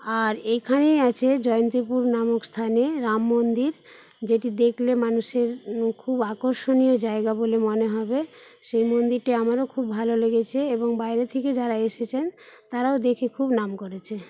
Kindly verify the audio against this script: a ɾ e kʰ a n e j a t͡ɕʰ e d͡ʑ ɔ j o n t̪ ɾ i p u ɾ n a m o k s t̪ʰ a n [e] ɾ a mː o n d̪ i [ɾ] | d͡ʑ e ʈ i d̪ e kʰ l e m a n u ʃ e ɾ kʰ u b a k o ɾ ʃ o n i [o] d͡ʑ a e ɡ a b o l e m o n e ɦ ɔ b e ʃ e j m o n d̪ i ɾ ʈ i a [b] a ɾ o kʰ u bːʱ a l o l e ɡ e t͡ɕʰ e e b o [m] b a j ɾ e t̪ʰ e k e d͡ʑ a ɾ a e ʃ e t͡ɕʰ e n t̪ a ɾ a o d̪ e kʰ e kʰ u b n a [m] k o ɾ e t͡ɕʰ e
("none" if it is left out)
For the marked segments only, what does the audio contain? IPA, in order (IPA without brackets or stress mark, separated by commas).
e, ɾ, o, m, ŋ, m